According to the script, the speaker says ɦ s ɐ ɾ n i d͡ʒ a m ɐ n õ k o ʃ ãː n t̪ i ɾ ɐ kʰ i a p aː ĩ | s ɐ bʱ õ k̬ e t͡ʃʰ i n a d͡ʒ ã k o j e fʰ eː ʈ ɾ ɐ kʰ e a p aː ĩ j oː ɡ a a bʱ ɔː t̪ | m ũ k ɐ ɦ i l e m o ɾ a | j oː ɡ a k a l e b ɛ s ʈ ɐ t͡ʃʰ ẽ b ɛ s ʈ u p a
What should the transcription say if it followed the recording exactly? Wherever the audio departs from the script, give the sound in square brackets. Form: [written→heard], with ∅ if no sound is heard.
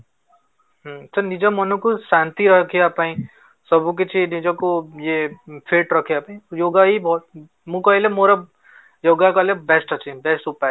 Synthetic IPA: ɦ s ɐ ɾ n i d͡ʒ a m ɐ n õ k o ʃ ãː n t̪ i ɾ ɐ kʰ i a p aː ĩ | s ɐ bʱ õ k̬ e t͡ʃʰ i n [a→i] d͡ʒ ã k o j e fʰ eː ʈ ɾ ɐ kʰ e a p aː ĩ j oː ɡ a [a→i] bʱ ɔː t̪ | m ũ k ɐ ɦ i l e m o ɾ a | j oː ɡ a k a l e b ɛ s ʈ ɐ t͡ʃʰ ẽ b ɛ s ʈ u p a